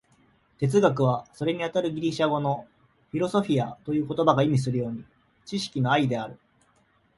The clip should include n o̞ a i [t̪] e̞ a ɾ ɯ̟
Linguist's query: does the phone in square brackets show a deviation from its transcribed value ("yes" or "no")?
yes